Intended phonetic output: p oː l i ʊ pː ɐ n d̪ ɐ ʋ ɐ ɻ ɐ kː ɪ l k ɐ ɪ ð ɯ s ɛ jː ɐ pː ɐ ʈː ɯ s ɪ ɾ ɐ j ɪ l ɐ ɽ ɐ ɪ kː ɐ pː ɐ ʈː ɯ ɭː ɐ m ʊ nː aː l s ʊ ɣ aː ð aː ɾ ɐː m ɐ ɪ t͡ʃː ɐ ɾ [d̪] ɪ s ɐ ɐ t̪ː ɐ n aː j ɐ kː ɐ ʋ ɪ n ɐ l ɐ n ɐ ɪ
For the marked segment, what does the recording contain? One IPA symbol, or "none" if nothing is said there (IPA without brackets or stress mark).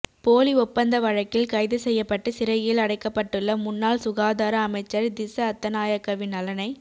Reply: d̪